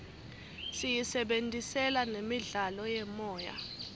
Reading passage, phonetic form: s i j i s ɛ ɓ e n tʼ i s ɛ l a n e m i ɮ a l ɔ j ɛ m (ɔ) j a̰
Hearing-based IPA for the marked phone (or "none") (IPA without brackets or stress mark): ɔː